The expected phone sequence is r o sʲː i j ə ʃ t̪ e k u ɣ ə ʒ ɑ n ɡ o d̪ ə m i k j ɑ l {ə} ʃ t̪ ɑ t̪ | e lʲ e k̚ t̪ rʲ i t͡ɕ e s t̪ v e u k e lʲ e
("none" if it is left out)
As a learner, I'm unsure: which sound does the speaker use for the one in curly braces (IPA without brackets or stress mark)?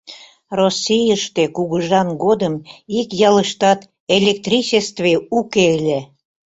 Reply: ə